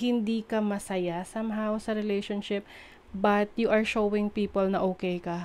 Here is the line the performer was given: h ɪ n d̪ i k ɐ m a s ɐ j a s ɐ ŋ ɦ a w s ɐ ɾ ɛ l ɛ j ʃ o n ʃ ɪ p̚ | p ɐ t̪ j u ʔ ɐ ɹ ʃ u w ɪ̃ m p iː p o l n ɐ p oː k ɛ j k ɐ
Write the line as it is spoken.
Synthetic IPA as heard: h ɪ n d̪ i k ɐ m ɐ s ɐ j a s ɐ m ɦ a w s ɐ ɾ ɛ l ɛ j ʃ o n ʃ ɪ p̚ | b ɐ t̪ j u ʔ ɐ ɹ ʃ o w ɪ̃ ŋ p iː p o l n ɐ ʔ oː k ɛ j k ɐ